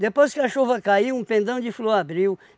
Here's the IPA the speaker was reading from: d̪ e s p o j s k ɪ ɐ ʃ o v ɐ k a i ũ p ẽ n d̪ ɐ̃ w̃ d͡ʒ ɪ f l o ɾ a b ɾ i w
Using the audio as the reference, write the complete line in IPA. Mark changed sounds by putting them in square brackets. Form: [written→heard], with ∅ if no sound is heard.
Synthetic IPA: d̪ e [s→∅] p o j s k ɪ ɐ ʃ o v ɐ k a i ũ p ẽ n d̪ ɐ̃ w̃ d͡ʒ ɪ f l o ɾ a b ɾ i w